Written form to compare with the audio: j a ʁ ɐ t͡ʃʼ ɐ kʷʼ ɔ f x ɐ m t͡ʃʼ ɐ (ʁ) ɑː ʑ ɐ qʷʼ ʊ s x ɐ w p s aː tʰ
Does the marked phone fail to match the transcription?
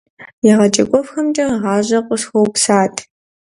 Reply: no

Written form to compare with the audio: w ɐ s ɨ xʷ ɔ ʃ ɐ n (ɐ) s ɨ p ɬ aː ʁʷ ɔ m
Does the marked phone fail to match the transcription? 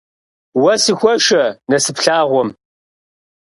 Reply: no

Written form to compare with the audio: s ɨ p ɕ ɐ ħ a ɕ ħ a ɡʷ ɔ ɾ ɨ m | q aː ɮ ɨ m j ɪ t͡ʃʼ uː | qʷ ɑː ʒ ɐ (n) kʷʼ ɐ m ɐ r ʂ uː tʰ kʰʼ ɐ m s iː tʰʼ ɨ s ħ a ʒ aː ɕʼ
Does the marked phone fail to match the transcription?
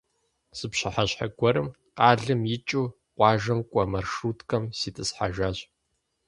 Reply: yes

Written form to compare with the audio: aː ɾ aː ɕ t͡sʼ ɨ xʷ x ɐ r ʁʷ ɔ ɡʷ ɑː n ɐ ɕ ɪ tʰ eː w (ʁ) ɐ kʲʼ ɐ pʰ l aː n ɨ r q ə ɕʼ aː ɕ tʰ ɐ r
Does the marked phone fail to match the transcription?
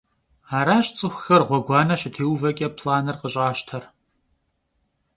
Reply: yes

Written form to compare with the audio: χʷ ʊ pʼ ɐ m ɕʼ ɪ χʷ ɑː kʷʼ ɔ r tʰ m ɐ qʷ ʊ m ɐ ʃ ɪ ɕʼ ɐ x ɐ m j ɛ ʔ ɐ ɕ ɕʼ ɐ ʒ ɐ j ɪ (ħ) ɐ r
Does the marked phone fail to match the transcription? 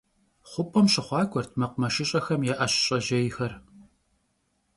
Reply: yes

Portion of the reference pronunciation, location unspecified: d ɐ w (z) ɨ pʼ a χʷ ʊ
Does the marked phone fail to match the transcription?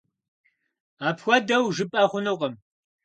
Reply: yes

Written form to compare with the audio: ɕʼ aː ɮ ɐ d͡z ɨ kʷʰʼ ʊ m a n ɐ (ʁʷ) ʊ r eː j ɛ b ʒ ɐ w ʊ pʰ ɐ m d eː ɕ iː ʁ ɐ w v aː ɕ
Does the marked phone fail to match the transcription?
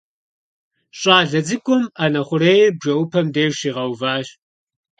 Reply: yes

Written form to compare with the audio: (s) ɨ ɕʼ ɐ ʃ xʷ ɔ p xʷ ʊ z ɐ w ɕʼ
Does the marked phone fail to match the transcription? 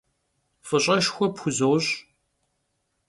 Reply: yes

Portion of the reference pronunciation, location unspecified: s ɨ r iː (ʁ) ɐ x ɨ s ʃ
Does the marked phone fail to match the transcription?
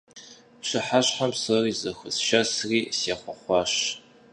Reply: yes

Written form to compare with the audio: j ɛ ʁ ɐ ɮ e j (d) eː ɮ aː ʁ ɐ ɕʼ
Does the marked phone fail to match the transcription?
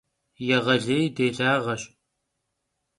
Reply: no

